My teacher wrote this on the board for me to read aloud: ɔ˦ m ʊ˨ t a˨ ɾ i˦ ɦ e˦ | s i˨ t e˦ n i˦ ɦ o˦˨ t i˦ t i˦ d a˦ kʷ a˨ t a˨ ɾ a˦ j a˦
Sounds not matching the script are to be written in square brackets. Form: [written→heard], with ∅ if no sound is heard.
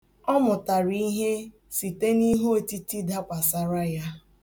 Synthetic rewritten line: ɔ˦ m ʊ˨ t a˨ ɾ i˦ ɦ e˦ | s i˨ t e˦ n i˦ ɦ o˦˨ t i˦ t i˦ d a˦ kʷ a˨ [t→s] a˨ ɾ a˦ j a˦